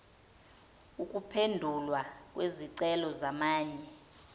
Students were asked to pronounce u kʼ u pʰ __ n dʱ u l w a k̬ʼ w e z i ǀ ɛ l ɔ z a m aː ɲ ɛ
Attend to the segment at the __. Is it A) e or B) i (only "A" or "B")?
A